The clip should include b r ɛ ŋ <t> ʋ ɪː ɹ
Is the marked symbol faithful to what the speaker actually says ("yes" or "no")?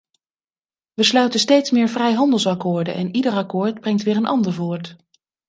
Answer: yes